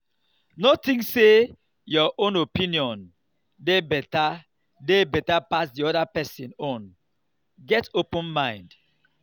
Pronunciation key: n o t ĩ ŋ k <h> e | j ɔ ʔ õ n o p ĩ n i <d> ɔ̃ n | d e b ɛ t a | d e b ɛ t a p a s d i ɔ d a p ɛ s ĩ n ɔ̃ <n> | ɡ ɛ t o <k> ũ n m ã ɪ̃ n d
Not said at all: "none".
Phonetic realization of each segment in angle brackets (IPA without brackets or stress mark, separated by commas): s, none, n, p